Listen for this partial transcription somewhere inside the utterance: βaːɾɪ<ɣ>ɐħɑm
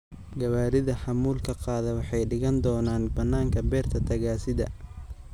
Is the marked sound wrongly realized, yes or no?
yes